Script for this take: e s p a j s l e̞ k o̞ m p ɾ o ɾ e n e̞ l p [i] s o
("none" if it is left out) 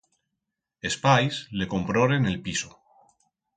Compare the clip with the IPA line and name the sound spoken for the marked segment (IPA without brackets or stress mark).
i